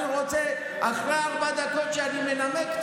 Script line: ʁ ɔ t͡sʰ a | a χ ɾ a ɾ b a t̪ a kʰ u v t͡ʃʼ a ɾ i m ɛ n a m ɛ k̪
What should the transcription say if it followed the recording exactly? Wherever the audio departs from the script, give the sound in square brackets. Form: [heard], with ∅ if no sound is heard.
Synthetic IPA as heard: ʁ ɔ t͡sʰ [ɛ] | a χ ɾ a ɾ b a [d̪] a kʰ [ɔ] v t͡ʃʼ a ɾ i m ɛ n a m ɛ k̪